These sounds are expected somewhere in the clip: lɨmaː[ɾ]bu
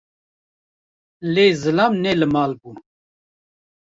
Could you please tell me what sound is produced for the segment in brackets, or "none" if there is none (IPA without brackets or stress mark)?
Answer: l